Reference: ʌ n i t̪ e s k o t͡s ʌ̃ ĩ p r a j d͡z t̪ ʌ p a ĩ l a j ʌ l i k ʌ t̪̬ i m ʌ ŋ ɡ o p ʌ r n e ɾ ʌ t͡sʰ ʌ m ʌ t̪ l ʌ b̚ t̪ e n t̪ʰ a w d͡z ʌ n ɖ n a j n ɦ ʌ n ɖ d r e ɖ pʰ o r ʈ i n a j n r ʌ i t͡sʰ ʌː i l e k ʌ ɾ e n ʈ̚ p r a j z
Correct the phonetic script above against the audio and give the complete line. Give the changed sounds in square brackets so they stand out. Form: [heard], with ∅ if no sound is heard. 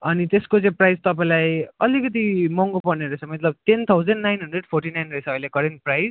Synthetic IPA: ʌ n i t̪ e s k o t͡s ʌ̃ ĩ p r a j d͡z t̪ ʌ p a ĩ l a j ʌ l i k ʌ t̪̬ i m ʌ ŋ ɡ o p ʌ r n e ɾ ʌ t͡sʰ ʌ m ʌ t̪ l ʌ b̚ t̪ e n t̪ʰ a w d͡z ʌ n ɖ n a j n ɦ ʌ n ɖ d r e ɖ pʰ o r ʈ i n a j n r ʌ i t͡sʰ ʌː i l e k ʌ ɾ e n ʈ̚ p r a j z